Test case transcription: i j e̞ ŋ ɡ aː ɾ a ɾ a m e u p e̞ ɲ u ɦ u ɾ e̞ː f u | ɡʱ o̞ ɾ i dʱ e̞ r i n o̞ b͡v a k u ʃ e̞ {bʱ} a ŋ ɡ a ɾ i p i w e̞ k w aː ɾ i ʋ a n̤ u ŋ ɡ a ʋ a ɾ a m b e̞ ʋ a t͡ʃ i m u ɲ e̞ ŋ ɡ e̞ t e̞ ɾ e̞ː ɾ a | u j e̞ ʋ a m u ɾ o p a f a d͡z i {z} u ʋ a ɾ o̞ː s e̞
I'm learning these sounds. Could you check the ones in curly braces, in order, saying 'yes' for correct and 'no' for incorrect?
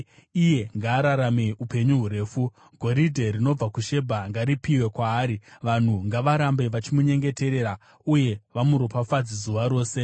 yes, yes

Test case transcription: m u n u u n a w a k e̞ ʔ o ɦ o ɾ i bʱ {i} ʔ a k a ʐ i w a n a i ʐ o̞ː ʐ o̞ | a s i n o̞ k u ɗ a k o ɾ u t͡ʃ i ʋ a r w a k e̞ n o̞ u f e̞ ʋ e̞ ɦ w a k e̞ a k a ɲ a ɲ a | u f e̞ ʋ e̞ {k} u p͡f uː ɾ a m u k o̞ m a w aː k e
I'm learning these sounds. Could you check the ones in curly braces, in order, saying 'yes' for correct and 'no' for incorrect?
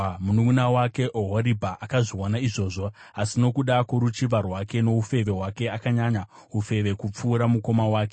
no, yes

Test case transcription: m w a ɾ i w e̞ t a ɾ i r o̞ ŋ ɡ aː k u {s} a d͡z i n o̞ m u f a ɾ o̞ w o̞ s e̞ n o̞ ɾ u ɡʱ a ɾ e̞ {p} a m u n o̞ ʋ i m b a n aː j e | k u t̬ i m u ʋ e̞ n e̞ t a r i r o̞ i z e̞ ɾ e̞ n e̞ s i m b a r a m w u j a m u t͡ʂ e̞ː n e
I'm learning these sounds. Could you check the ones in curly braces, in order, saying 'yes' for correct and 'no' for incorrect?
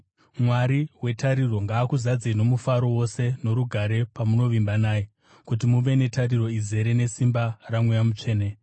no, yes

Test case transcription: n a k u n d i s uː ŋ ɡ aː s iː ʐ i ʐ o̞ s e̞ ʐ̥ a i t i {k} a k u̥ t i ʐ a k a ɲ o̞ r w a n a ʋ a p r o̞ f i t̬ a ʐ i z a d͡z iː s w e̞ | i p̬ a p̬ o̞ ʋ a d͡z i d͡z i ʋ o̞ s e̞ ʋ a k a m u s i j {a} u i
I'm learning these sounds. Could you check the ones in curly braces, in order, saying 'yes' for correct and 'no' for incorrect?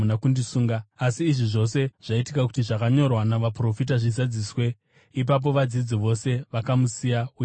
yes, yes

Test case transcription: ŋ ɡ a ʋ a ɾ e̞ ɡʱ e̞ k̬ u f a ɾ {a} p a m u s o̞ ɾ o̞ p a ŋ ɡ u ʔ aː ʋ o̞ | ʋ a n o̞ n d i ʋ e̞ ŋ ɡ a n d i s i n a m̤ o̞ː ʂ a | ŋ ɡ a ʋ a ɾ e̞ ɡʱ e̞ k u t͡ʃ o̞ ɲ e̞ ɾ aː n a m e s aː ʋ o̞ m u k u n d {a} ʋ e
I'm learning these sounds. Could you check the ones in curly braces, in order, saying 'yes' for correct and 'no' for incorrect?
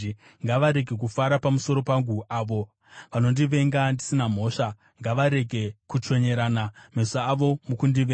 yes, no

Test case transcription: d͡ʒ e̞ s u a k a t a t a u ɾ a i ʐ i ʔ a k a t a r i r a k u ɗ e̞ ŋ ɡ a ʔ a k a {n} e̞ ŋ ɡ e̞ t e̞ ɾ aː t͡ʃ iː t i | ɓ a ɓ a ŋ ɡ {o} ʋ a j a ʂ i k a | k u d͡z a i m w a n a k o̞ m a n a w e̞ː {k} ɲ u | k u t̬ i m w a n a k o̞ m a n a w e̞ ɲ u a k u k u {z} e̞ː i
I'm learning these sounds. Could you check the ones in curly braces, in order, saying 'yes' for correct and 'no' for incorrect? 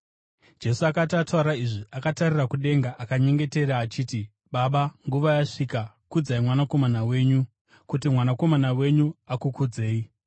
no, no, no, no

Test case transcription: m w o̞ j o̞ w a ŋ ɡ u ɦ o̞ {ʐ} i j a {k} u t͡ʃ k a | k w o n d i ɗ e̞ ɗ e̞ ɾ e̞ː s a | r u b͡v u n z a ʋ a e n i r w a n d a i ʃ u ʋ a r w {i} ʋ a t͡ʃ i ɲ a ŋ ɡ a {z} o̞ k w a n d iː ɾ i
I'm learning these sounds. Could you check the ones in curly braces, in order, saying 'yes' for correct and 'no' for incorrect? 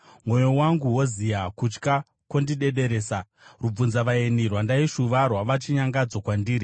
no, yes, no, no

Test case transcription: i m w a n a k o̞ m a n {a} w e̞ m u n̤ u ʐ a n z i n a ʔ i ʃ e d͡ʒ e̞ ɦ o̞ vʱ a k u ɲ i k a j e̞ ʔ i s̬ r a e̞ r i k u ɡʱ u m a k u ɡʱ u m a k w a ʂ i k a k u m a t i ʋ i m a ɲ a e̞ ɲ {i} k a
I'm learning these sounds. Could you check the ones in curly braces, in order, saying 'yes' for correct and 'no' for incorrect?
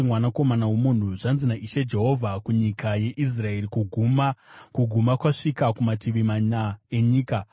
yes, no

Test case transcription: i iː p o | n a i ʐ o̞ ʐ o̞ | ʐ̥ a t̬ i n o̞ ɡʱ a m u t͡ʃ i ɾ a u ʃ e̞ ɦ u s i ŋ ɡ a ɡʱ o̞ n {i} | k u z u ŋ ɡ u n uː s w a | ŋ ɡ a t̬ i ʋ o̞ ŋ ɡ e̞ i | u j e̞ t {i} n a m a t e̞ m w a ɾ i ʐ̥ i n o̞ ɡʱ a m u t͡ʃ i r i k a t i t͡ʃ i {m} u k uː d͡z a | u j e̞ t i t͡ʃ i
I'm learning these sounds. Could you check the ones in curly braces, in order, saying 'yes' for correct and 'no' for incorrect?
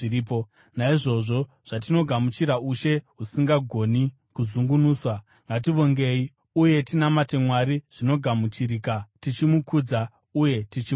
yes, yes, yes

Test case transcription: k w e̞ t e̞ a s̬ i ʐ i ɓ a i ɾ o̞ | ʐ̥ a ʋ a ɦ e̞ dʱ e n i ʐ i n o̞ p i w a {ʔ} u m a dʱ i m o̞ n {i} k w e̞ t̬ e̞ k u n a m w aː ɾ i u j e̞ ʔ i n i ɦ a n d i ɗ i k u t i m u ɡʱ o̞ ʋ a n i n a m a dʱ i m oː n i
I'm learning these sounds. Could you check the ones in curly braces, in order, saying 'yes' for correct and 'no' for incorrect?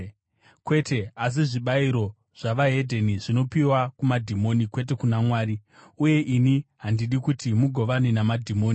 no, yes

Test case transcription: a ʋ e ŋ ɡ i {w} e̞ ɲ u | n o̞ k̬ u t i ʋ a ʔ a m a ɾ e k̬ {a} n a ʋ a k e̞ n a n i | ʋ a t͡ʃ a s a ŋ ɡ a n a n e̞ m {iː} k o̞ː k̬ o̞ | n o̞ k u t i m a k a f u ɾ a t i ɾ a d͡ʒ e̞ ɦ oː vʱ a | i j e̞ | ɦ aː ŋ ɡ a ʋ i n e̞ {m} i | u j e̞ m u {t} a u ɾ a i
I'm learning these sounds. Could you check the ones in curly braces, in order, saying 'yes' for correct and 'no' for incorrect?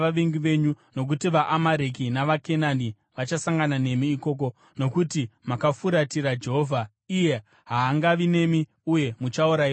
no, no, yes, yes, no

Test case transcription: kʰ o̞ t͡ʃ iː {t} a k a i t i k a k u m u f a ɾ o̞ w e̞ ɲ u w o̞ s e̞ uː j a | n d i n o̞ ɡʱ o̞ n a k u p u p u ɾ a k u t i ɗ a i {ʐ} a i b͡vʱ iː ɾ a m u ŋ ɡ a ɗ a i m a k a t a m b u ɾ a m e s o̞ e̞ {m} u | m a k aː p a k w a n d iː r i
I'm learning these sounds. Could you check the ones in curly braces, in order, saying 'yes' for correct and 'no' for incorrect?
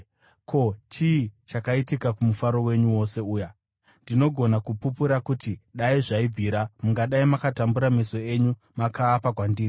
no, yes, no

